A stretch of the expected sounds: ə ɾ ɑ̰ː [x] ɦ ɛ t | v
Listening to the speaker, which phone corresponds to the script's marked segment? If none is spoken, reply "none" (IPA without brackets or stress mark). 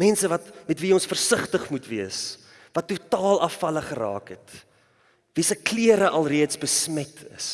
k